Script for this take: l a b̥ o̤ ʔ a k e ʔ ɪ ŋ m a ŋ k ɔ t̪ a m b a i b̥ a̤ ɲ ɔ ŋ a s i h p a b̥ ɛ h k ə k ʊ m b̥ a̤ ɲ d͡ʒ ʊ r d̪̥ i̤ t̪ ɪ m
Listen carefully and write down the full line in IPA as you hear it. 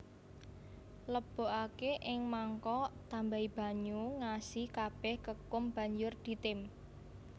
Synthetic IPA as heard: l ə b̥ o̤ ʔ a k e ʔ ɪ ŋ m a ŋ k ɔ t̪ a m b a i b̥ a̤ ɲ u ŋ a s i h k a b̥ ɛ h k ə k ʊ m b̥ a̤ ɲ d͡ʒ ʊ r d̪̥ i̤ t̪ ɪ m